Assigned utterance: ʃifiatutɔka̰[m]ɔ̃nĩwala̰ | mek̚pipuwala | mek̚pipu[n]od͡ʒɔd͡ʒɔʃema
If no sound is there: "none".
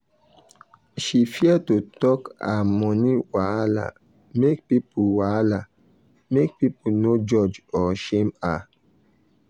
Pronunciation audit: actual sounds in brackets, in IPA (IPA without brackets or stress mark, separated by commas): m, n